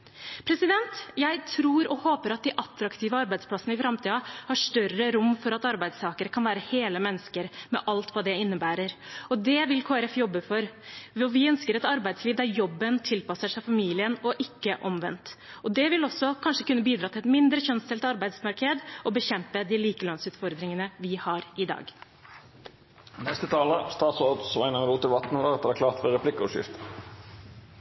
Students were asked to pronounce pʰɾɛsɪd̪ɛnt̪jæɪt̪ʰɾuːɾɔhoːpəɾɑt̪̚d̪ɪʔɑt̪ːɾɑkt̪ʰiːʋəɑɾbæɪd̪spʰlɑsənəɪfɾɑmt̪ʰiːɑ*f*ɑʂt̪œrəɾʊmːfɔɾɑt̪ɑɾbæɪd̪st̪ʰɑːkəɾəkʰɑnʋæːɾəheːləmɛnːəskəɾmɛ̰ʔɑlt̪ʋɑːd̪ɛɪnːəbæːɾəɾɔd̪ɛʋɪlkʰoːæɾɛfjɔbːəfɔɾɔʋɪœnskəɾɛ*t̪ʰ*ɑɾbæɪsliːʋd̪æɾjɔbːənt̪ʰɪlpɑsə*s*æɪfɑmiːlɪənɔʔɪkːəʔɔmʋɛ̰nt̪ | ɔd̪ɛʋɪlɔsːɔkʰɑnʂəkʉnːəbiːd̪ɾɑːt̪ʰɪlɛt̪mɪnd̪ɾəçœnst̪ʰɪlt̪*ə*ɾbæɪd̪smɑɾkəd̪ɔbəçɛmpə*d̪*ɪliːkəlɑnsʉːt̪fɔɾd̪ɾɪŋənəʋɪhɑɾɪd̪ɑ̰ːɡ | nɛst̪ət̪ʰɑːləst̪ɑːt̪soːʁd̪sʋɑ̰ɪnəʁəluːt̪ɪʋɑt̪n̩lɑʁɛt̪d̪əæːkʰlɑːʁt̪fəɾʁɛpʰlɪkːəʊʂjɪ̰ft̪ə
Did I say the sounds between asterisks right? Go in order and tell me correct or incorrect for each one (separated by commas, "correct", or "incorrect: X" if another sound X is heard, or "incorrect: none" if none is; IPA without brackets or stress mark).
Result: incorrect: h, incorrect: t̪, incorrect: ʂ, incorrect: ɑ, correct